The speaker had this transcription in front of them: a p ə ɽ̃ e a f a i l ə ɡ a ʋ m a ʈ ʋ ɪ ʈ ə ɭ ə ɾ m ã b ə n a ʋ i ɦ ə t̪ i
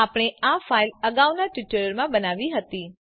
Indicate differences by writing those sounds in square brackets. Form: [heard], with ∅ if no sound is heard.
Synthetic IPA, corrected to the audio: a p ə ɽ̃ e a f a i l ə ɡ a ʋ [n] a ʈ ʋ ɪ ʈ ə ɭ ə ɾ m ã b ə n a ʋ i ɦ ə t̪ i